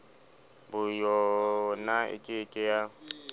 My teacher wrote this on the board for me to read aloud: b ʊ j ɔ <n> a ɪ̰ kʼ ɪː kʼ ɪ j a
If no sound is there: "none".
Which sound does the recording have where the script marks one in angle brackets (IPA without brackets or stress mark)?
n